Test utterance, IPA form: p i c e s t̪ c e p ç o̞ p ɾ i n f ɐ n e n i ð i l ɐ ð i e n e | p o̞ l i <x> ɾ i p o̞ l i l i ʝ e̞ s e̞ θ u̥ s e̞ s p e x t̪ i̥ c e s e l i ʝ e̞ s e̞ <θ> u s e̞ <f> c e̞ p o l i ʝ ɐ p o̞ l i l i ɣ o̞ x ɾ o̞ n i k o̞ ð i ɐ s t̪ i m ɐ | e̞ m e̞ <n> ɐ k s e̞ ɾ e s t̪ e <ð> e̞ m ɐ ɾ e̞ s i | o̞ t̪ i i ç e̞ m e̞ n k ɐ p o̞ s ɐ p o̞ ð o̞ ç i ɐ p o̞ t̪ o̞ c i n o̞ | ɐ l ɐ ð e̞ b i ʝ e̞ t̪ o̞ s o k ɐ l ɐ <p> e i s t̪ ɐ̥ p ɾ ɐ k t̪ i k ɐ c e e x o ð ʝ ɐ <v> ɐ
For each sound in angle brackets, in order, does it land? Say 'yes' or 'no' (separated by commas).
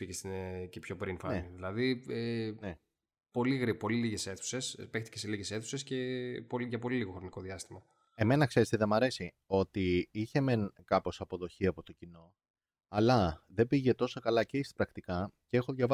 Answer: no, yes, no, yes, yes, no, yes